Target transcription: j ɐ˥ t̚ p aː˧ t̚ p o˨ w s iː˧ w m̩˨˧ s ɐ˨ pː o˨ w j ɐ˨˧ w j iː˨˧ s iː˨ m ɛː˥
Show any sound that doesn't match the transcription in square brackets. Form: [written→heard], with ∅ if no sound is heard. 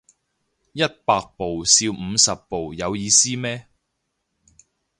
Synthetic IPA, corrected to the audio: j ɐ˥ t̚ p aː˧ [t̚→k̚] p o˨ w s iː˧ w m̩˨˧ s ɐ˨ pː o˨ w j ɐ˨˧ w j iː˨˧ s [iː˨→iː˥] m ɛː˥